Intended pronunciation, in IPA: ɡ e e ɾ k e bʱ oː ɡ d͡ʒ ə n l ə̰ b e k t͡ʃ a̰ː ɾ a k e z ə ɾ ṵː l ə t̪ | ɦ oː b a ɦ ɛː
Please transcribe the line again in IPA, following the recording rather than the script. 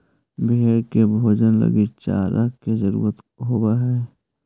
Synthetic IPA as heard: b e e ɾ k e bʱ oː d͡ʒ ə n l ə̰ ɡ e t͡ʃ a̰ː ɾ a k e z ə ɾ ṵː ɾ ə t̪ | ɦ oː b a ɦ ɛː